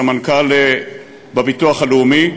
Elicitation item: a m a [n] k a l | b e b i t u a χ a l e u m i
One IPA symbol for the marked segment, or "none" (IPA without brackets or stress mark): n